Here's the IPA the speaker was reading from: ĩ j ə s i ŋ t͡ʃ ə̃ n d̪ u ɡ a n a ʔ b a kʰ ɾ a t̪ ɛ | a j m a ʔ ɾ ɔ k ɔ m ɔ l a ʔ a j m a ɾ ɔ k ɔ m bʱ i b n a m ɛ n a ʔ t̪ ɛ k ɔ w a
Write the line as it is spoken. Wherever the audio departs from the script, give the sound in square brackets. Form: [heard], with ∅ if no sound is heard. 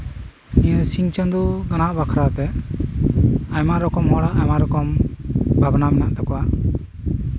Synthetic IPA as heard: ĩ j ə s i ŋ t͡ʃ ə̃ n d̪ u ɡ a n a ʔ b a kʰ ɾ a t̪ ɛ | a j m a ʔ ɾ ɔ k ɔ m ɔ [ɽ] a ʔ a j m a ɾ ɔ k ɔ m bʱ [a] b n a m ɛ n a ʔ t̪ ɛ k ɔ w a